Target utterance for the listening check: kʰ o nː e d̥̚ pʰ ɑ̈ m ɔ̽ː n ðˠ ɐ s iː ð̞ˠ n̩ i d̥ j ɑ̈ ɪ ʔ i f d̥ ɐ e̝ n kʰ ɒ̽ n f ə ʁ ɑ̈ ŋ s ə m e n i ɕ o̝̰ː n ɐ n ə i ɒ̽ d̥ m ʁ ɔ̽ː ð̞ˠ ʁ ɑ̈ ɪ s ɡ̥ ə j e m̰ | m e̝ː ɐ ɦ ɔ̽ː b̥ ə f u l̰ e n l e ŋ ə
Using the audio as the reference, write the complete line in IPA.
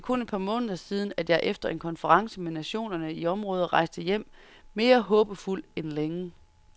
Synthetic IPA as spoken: kʰ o n e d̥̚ pʰ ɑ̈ m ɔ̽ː n ðˠ ɐ s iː ð̞ˠ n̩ æ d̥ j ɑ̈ ɪ ʔ e f d̥ ɐ e̝ n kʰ ɒ̽ n f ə ʁ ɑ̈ ŋ s ə m e n æ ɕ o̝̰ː n ɐ n ə i ɒ̽ m ʁ ɔ̽ː ð̞ˠ ʁ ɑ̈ ɪ s d̥ ə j e m̰ | m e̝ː ɐ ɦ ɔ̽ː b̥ ə f u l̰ e n l e ŋ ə